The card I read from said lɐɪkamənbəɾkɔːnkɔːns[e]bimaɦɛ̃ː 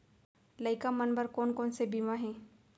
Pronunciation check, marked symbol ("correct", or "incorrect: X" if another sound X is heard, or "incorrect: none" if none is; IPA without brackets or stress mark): correct